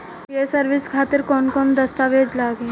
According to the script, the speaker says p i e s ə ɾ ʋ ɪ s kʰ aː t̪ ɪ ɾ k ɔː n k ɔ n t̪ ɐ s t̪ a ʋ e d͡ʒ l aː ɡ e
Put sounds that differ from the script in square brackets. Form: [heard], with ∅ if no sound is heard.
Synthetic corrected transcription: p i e s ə ɾ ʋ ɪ s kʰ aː t̪ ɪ ɾ k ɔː n k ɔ n [d̪] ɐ s t̪ a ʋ e d͡ʒ l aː ɡ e